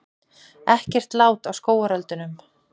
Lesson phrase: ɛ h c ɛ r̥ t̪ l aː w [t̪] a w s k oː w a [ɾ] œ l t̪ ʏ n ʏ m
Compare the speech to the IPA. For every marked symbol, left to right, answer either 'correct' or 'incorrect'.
correct, correct

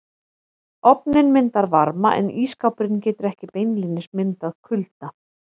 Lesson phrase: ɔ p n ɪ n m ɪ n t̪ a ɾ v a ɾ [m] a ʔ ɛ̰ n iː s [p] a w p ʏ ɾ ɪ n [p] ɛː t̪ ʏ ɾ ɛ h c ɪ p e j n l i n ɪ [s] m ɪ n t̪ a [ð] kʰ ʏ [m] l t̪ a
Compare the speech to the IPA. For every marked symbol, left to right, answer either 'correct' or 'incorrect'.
correct, incorrect: k, incorrect: c, correct, correct, incorrect: none

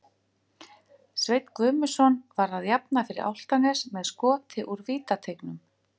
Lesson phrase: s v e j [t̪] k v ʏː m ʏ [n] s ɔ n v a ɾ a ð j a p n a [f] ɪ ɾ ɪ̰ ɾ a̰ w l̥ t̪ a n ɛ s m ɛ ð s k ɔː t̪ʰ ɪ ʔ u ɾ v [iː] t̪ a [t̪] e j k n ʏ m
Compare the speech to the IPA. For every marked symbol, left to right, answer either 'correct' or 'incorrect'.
correct, incorrect: none, correct, correct, incorrect: t̪ʰ

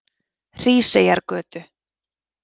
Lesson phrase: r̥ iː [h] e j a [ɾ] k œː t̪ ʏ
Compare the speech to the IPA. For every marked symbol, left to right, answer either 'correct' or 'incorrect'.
incorrect: s, correct

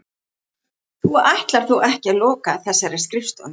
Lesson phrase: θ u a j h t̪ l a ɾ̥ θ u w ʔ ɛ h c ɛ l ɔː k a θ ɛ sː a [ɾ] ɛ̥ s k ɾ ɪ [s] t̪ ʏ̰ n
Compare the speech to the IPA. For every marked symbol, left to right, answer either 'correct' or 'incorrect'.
correct, incorrect: f

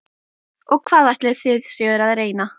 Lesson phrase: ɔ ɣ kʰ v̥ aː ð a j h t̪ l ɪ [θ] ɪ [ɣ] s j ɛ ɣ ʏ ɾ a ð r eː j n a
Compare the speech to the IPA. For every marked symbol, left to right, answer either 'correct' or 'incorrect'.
correct, incorrect: ð

